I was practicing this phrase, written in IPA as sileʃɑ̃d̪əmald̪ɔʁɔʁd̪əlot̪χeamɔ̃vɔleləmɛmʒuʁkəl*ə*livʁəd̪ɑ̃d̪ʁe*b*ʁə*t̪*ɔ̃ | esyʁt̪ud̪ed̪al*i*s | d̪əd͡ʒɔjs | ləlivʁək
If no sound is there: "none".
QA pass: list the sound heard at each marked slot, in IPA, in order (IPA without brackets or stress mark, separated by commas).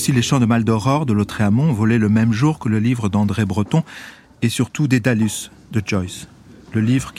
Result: ə, b, t̪, y